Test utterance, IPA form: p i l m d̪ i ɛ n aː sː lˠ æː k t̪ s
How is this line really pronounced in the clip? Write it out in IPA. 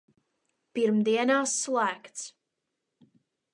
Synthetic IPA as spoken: p i ɾ m d̪ i ɛ n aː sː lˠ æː k t̪ s